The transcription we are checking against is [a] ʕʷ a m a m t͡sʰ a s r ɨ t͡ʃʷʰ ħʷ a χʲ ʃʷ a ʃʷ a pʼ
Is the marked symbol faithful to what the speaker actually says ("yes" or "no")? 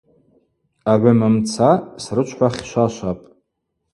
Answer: yes